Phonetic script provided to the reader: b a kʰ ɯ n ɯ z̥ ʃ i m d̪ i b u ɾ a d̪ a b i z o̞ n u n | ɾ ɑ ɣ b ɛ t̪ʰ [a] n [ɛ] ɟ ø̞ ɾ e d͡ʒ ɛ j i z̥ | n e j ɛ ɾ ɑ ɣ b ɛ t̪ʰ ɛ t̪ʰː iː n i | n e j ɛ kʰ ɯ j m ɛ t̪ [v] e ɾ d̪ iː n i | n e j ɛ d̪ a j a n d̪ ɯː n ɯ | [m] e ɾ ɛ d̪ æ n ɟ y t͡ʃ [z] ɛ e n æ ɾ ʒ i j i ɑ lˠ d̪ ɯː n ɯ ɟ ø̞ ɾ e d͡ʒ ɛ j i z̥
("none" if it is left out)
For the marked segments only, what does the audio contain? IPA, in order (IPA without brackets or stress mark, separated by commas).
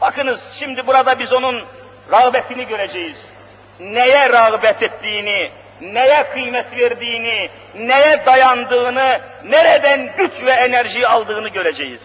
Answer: i, i, v, n, v